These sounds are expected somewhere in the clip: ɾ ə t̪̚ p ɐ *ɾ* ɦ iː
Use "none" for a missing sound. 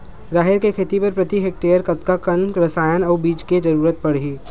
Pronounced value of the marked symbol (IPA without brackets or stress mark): ɽ